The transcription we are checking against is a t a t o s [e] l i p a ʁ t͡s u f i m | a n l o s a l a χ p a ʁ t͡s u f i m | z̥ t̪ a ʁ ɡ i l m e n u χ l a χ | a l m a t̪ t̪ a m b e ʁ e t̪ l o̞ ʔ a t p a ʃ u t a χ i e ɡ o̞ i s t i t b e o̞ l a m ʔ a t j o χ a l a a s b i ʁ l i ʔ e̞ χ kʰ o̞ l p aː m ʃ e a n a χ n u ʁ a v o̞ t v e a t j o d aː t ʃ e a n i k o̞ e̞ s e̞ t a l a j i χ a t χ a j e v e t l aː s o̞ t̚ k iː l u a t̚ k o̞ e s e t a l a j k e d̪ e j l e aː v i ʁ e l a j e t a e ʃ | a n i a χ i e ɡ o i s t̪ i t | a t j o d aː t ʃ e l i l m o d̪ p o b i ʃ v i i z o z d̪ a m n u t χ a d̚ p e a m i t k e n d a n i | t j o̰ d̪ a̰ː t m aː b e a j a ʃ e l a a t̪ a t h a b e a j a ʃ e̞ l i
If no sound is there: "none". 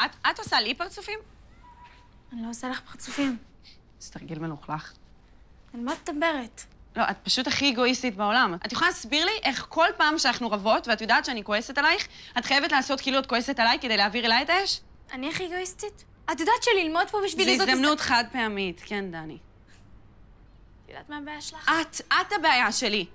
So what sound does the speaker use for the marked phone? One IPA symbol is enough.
a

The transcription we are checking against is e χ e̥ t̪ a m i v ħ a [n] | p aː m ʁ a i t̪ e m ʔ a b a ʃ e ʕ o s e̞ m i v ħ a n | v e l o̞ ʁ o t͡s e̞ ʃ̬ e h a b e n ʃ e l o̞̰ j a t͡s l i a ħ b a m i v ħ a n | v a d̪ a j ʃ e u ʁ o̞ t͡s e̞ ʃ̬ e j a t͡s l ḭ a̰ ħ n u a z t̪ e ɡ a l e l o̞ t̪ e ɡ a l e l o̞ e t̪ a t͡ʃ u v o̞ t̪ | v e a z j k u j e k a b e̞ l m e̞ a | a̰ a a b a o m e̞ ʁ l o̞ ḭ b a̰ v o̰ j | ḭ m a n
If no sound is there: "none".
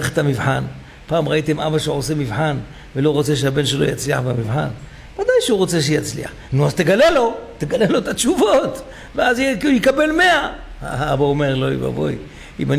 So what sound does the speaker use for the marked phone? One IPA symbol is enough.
n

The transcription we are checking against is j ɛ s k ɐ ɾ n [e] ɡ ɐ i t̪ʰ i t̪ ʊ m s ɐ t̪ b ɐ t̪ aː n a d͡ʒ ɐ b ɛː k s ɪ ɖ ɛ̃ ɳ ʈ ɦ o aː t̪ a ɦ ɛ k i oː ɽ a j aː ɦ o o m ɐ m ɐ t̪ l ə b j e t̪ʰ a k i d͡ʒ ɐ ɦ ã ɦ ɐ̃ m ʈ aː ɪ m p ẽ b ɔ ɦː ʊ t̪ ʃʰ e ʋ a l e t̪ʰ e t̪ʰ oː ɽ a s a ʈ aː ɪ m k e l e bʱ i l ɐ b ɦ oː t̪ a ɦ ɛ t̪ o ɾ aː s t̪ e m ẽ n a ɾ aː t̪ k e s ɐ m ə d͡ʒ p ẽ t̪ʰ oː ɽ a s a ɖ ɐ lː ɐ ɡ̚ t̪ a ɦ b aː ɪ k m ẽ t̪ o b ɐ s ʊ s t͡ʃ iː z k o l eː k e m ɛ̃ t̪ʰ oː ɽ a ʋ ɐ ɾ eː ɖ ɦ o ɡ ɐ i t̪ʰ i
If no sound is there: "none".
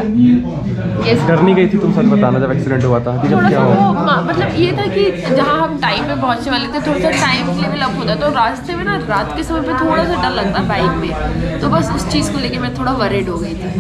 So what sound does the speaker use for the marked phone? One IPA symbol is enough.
i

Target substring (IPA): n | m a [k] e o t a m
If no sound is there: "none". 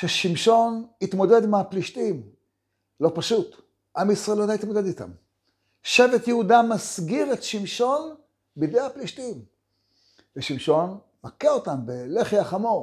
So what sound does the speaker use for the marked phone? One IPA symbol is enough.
k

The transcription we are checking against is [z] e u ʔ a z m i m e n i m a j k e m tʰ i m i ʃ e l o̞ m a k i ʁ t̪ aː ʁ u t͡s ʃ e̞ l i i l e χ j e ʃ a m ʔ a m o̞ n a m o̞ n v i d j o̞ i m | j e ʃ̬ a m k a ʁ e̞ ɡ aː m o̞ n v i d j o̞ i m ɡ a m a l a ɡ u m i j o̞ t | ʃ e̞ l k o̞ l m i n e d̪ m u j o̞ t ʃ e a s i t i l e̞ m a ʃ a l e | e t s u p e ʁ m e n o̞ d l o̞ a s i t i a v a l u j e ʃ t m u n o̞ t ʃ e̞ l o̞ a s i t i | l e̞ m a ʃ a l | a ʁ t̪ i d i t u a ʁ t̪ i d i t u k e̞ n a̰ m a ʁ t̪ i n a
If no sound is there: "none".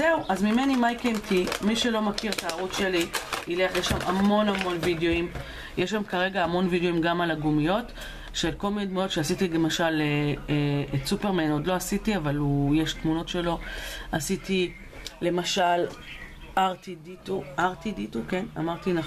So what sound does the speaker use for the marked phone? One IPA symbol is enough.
z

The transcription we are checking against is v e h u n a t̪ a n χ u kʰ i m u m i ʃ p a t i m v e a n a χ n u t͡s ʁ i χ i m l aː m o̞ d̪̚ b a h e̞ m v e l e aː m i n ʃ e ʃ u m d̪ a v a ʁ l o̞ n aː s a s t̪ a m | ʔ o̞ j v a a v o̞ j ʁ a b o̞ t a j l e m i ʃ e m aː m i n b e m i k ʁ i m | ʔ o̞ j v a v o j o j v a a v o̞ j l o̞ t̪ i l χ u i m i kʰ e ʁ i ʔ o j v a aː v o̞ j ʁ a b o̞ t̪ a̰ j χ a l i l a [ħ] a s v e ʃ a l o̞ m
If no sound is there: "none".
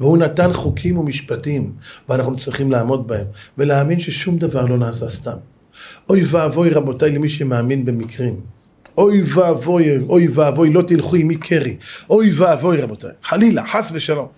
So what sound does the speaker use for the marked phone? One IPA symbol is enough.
ħ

